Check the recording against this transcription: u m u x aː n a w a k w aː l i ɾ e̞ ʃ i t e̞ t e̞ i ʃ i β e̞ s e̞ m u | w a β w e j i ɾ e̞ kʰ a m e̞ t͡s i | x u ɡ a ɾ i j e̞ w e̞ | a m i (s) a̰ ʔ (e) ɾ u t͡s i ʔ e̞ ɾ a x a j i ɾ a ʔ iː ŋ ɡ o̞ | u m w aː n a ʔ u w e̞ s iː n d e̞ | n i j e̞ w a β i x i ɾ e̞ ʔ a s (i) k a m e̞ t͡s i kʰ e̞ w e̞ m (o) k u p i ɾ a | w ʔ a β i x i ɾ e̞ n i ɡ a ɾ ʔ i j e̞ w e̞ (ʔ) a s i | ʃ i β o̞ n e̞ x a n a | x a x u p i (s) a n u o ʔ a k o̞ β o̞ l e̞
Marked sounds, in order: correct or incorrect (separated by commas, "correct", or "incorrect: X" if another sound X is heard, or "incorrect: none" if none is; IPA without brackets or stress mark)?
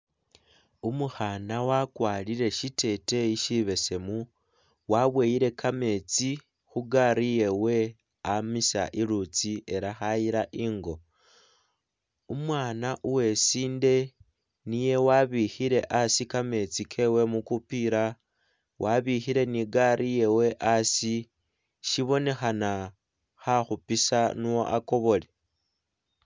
correct, incorrect: i, correct, incorrect: u, correct, correct